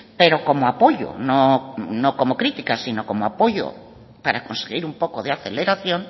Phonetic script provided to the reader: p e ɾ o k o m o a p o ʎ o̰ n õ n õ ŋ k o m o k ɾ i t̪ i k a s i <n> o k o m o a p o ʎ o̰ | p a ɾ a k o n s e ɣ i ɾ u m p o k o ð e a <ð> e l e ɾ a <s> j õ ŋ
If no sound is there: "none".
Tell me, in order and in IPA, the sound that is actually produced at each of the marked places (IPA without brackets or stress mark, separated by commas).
n, θ, θ